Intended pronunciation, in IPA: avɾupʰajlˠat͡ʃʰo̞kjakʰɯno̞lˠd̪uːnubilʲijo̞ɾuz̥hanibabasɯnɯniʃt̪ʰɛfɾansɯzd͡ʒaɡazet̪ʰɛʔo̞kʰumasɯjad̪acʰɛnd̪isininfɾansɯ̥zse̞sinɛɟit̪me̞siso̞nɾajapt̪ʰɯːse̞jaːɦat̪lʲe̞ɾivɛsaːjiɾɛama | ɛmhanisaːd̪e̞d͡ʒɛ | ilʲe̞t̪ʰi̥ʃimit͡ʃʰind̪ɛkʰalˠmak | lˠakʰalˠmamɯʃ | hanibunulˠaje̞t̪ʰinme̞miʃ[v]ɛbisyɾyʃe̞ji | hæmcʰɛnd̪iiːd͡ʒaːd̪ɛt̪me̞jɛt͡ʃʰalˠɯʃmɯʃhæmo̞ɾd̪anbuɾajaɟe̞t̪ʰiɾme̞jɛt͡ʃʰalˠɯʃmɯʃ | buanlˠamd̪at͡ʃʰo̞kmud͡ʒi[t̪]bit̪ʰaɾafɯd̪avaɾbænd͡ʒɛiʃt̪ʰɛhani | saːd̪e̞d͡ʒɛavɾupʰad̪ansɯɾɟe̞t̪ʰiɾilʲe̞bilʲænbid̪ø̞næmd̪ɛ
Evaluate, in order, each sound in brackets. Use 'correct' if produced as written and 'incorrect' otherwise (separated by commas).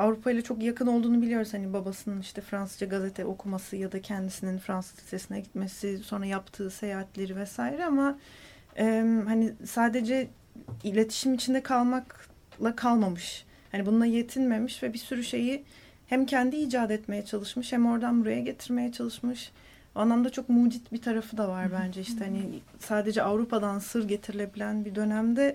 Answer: correct, correct